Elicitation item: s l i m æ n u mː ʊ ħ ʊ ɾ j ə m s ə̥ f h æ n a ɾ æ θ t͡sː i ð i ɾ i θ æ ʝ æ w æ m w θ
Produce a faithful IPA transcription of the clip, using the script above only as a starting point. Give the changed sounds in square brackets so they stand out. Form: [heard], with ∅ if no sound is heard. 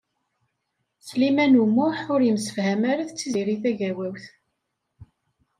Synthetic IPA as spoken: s l i m æ n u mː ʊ ħ ʊ ɾ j ə m s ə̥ f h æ [m] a ɾ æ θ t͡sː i [z] i ɾ i θ æ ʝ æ w æ [∅] w θ